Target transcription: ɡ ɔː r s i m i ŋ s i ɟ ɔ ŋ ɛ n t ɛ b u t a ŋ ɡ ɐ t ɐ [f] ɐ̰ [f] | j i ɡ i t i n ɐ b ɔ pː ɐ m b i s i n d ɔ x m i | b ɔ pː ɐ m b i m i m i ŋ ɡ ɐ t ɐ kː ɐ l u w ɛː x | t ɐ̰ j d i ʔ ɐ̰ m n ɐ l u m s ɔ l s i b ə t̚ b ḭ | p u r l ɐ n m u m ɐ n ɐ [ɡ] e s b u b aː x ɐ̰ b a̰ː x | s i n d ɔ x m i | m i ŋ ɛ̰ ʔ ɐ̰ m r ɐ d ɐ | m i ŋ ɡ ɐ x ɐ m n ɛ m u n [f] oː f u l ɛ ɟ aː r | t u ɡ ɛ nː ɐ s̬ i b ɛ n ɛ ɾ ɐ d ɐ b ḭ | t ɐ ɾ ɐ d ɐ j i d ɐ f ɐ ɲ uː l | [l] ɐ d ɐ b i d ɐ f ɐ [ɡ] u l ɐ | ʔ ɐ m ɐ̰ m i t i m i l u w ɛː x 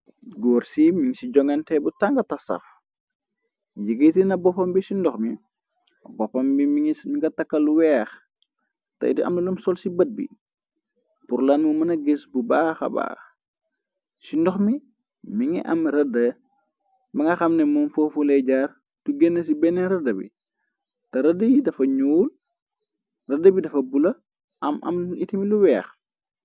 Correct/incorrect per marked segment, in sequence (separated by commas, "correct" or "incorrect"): incorrect, correct, correct, correct, incorrect, incorrect